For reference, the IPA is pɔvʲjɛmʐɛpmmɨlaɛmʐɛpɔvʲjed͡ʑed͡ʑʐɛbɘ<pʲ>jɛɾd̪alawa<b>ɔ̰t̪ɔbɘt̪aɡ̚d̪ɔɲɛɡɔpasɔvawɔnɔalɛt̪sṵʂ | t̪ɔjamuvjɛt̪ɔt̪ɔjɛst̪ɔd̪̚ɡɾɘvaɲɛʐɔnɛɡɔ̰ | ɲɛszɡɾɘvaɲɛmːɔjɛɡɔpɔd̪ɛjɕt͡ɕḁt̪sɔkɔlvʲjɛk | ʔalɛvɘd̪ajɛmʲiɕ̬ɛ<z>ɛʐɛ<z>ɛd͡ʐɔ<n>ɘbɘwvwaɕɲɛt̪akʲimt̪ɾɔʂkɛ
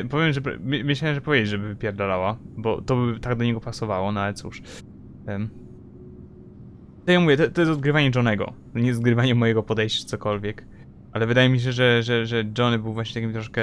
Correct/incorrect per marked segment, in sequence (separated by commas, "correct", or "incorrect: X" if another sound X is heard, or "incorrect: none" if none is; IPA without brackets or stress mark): correct, correct, incorrect: ʐ, incorrect: ʐ, correct